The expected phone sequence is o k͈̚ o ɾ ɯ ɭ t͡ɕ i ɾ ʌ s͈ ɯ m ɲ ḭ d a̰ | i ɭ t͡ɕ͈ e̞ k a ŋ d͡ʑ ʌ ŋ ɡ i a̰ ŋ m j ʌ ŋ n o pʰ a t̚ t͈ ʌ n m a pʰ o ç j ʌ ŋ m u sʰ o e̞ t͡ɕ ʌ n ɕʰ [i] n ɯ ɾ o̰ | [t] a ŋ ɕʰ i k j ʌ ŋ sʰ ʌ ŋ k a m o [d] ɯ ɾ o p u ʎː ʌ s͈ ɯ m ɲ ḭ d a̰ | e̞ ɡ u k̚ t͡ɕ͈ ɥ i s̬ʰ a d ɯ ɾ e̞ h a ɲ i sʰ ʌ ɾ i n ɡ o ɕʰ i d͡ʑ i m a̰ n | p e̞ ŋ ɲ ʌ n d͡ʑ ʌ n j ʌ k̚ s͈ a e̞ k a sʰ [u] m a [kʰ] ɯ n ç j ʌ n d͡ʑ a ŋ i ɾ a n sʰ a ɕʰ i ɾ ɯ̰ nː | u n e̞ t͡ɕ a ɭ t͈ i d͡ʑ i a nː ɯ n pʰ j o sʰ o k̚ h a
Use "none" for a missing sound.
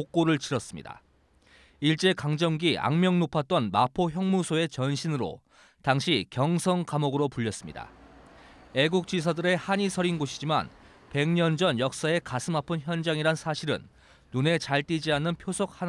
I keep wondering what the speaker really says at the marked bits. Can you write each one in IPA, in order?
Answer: i, t, ɡ, ɯ, pʰ

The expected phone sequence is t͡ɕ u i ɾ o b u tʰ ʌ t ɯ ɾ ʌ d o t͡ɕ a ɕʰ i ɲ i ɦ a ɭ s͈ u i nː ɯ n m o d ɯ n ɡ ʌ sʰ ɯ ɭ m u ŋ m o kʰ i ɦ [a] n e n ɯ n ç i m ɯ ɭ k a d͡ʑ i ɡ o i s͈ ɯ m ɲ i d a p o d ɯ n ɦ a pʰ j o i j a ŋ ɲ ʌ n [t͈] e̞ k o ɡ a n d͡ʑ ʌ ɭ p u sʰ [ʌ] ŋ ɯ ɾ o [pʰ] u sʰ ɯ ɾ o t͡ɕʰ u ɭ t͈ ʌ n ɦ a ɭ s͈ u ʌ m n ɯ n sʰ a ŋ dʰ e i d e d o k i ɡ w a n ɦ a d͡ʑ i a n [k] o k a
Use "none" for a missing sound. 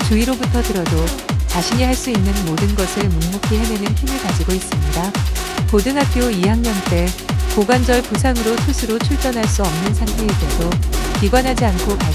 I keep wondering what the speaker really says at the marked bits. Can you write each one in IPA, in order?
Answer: e, t͈, a, tʰ, kʰ

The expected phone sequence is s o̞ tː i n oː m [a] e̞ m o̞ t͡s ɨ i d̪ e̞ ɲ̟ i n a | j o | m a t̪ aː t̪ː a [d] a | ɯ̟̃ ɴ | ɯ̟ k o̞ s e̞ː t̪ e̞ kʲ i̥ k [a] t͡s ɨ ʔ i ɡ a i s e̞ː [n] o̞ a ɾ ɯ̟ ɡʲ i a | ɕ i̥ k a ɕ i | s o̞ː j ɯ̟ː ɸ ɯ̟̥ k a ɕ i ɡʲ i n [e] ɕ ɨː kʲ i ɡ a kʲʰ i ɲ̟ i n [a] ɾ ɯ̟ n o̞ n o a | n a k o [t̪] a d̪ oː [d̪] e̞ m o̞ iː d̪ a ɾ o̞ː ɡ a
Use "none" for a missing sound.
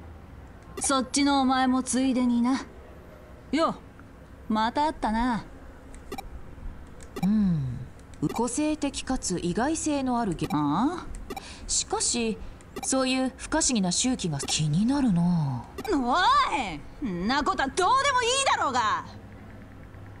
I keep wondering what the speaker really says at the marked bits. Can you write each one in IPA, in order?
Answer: a, n, a, n, a, a, t̪, d̪

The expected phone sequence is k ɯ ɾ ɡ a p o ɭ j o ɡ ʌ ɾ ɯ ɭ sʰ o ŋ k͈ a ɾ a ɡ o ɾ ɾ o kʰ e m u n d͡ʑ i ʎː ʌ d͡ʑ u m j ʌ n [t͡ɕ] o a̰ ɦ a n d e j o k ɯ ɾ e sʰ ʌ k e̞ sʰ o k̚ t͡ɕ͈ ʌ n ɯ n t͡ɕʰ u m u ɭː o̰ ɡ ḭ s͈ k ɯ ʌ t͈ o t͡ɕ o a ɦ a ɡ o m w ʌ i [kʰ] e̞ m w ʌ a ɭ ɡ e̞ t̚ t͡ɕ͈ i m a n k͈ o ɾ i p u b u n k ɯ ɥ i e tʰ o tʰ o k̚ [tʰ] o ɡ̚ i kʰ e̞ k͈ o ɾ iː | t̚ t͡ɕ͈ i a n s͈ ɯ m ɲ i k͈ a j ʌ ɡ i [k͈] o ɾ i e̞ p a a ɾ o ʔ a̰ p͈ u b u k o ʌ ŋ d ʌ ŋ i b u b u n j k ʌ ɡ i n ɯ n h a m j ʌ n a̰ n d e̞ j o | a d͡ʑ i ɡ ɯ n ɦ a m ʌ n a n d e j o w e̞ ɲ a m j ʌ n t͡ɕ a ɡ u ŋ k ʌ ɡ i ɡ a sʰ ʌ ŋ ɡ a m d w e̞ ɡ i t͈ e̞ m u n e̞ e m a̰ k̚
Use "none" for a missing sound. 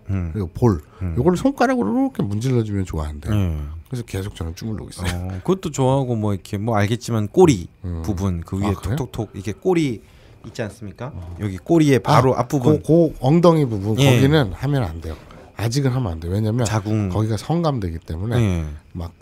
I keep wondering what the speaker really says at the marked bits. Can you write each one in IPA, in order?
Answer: t͡ɕ, kʰ, tʰ, k͈

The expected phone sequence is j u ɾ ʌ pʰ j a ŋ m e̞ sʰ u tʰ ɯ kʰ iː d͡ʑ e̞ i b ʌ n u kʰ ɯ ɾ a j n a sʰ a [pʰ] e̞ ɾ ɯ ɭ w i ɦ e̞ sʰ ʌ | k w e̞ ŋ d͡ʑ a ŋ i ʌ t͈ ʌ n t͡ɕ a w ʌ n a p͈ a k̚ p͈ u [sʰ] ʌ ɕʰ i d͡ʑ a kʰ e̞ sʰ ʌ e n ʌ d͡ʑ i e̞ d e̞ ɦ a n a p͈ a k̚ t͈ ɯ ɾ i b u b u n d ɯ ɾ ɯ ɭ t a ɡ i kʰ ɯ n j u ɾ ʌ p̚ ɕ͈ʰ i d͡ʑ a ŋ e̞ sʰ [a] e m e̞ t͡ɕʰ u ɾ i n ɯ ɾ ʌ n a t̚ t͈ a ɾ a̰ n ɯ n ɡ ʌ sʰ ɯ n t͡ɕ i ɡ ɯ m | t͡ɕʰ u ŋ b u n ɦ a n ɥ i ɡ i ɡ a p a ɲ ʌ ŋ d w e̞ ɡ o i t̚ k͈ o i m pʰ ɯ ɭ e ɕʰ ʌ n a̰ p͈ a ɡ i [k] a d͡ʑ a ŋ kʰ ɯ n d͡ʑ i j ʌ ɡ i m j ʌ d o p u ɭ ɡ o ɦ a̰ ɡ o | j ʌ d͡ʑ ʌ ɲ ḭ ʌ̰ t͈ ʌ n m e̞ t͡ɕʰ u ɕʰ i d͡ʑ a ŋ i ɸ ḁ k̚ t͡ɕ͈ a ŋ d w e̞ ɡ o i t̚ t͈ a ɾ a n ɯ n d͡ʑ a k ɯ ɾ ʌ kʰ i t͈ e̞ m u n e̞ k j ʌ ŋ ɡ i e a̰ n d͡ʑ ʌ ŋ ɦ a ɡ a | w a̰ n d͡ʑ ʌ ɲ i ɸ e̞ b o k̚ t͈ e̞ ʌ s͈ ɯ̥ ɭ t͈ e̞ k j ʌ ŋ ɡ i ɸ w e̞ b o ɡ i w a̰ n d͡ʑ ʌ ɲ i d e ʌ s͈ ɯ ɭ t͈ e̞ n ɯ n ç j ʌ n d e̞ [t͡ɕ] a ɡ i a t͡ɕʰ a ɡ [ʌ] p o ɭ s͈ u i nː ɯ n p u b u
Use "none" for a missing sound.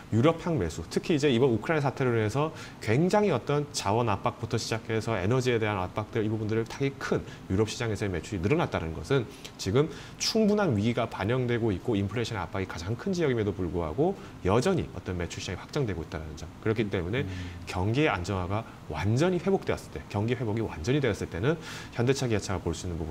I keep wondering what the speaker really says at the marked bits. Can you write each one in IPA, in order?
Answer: tʰ, tʰ, ʌ, k, t͡ɕʰ, a

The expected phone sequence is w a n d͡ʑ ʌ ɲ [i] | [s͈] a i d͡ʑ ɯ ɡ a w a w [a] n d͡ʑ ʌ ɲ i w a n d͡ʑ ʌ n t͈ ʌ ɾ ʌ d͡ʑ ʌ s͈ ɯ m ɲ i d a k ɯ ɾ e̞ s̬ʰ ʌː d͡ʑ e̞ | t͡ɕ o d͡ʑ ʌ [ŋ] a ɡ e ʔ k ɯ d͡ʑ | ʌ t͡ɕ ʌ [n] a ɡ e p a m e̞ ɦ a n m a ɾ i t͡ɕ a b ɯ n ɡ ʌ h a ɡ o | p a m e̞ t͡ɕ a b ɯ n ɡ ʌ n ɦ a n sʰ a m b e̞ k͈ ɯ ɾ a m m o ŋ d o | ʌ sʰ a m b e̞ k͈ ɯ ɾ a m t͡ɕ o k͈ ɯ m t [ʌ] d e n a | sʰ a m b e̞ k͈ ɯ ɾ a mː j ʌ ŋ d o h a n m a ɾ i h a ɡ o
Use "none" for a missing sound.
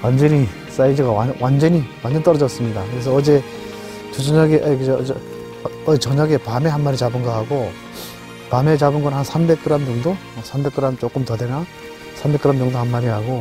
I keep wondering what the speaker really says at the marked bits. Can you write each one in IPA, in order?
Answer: i, s͈, a, ɲ, ɲ, ʌ

